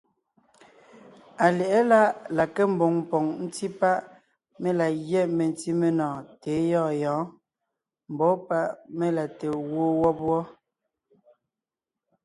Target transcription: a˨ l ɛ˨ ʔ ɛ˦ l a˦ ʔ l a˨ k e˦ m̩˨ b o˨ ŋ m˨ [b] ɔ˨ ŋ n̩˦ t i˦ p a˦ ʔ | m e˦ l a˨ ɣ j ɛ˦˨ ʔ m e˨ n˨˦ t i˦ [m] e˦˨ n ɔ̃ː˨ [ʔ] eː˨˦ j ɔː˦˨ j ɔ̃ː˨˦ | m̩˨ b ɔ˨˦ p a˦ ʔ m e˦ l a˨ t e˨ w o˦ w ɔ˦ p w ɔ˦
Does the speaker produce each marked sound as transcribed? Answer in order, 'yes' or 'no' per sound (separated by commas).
no, yes, no